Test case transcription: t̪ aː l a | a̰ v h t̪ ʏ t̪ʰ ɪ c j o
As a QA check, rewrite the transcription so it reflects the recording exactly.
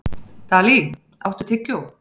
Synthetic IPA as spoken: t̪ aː l i | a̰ w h t̪ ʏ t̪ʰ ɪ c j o